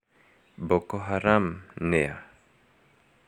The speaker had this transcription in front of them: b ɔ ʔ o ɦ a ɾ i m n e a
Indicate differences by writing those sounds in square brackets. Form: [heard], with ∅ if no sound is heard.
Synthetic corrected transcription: b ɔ [k] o ɦ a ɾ [a] m n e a